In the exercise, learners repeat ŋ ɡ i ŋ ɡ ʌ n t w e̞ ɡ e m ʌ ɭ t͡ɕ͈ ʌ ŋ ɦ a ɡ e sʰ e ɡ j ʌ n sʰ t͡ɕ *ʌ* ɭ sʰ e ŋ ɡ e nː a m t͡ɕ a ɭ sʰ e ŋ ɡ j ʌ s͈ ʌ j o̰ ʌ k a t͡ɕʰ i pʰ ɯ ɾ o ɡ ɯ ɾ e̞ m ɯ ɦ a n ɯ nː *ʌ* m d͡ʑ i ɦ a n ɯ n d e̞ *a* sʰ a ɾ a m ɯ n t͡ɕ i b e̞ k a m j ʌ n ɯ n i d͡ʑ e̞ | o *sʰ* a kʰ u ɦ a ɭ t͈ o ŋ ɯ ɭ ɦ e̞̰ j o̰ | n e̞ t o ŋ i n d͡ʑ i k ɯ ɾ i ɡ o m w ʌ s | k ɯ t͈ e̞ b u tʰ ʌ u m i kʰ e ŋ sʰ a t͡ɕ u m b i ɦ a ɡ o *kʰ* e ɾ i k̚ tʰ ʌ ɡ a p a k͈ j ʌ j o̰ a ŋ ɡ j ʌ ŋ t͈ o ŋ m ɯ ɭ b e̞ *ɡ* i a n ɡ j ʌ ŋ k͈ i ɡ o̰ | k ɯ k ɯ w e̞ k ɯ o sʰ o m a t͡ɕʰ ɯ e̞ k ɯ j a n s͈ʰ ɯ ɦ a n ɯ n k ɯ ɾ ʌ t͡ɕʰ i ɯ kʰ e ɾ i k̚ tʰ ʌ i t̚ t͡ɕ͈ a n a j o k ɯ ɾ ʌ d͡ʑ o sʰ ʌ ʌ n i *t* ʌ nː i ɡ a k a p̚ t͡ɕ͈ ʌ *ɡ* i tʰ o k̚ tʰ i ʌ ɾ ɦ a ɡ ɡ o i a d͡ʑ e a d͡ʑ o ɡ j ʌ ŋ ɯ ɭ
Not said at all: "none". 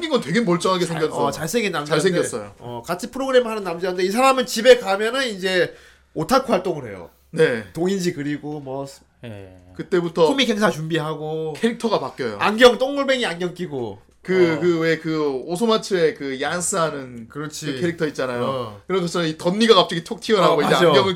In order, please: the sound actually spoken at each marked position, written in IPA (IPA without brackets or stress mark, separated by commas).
a, a, i, tʰ, kʰ, ŋ, t, ɡ